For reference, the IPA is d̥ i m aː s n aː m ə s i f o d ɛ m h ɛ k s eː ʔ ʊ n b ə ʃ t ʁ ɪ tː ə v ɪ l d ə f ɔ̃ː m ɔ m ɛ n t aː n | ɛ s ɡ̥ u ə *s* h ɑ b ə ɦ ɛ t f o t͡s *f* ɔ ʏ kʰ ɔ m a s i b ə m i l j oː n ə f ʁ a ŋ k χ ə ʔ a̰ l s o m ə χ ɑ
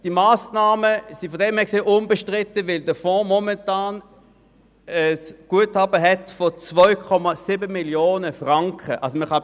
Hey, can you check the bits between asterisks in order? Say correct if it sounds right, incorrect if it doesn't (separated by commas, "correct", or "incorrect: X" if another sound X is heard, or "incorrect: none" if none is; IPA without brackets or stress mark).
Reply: incorrect: t, incorrect: v